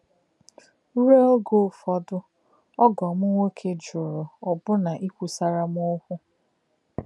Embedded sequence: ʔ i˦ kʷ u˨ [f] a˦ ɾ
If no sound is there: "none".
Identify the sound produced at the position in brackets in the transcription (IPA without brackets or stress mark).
s